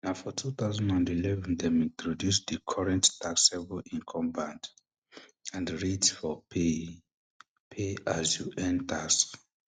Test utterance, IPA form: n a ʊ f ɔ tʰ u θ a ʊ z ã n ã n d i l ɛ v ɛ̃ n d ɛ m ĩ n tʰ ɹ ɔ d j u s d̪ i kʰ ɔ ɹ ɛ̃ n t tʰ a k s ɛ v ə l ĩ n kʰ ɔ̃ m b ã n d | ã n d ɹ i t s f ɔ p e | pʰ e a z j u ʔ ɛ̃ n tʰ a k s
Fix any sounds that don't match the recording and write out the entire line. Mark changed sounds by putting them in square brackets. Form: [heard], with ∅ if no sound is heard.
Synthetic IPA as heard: n a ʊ f ɔ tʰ u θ a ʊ z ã n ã n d i l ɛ v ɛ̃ n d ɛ m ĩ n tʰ ɹ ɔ d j u s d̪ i kʰ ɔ ɹ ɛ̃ n t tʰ a k s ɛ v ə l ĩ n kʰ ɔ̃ m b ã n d | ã n d ɹ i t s f ɔ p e | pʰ e a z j u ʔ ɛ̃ n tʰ a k s